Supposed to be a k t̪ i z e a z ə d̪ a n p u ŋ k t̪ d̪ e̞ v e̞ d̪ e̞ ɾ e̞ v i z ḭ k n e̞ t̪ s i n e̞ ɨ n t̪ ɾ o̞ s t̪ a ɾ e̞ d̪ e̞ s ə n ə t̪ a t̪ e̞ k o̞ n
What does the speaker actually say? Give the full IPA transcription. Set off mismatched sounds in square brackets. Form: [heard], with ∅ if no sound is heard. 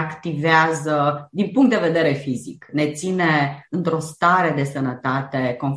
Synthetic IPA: a k t̪ i [v] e a z ə d̪ [i] n p u ŋ k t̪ d̪ e̞ v e̞ d̪ e̞ ɾ e̞ [f] i z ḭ k n e̞ t̪ s i n e̞ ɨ n t̪ ɾ o̞ s t̪ a ɾ e̞ d̪ e̞ s ə n ə t̪ a t̪ e̞ k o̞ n